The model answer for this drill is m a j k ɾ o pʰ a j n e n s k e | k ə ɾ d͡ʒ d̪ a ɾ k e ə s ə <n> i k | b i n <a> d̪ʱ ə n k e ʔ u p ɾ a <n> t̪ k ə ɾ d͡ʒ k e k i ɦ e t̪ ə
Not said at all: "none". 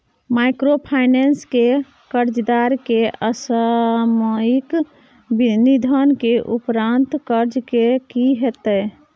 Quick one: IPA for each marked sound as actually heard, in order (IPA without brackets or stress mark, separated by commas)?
m, i, n